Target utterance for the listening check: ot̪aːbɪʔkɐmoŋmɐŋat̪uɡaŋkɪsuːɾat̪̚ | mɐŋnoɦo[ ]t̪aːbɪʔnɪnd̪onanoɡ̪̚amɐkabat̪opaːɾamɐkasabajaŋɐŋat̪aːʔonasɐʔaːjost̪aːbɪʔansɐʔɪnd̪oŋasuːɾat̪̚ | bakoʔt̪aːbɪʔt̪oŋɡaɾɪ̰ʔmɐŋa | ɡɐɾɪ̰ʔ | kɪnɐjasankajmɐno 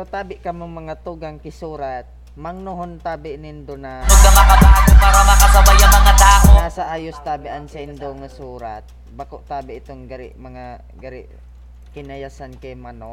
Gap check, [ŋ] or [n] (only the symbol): n